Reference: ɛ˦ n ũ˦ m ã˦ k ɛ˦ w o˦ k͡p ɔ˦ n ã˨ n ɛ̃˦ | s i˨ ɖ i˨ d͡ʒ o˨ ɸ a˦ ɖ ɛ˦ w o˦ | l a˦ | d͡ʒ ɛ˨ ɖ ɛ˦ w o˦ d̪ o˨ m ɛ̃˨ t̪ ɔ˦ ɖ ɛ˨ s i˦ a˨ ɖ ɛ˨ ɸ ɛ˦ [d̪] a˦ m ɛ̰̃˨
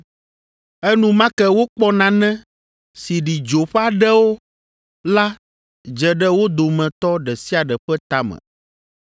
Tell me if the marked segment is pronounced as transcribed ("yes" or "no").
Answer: no